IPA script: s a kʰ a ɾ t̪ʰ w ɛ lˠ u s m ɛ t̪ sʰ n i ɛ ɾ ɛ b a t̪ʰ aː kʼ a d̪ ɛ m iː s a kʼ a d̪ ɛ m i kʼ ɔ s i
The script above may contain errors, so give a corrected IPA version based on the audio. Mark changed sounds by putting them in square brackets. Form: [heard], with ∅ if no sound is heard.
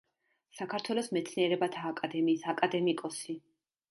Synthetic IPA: s a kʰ a ɾ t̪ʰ w ɛ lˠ [ɔ] s m ɛ t̪ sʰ n i ɛ ɾ ɛ b a t̪ʰ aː kʼ a d̪ ɛ m iː s a kʼ a d̪ ɛ m i kʼ ɔ s i